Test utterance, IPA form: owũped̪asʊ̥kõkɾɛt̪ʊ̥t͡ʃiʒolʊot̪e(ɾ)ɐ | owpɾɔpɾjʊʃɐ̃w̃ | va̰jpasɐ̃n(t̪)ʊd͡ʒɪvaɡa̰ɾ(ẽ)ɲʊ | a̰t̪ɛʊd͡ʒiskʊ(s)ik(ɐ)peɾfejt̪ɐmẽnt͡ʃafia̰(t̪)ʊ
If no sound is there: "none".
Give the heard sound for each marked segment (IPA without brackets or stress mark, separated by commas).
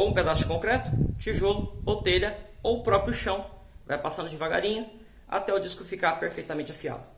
ʎ, d̪, ĩ, f, a, d̪